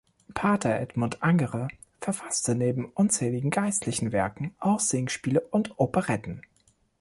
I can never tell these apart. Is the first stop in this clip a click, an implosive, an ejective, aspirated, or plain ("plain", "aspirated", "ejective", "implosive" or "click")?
aspirated